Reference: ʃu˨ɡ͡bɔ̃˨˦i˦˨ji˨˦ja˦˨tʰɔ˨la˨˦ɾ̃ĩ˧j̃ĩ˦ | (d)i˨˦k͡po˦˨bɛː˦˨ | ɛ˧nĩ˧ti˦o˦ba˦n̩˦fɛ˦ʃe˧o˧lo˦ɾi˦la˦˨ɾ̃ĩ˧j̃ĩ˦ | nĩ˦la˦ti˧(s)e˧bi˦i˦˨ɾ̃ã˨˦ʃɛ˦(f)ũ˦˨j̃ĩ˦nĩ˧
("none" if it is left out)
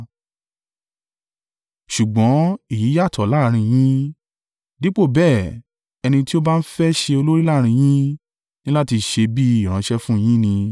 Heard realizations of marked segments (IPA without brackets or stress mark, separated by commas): d, ʃ, f